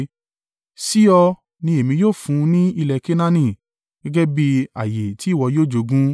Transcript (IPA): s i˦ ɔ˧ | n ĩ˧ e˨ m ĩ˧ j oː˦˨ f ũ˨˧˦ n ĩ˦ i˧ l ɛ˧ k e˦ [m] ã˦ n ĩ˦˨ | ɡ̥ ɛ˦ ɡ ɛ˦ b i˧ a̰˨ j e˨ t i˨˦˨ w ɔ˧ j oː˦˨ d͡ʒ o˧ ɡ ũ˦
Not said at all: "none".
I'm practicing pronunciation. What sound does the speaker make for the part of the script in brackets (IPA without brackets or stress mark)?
n